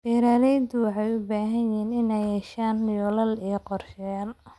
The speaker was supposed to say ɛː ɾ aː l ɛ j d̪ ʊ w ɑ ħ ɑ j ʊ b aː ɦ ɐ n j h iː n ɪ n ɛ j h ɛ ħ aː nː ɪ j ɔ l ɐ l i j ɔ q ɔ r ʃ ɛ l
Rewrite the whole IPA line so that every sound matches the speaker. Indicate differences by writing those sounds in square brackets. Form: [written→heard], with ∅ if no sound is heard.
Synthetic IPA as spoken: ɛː ɾ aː l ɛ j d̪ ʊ w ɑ ħ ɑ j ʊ b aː ɦ ɐ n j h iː n ɪ n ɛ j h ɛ [ħ→ʃ] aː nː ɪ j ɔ l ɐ l i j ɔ q ɔ r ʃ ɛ l